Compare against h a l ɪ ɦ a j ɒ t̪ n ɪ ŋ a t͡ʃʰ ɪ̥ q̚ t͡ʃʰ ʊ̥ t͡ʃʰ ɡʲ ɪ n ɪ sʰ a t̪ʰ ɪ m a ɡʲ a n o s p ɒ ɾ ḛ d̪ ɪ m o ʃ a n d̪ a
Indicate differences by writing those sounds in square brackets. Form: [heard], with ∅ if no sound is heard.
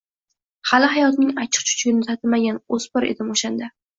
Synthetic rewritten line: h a l ɪ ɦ a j ɒ t̪ n ɪ ŋ a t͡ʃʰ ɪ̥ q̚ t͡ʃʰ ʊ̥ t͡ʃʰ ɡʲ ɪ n ɪ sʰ a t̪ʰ ɪ m a ɡʲ a n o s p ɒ ɾ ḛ d̪ ɪ m o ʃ a n d̪ a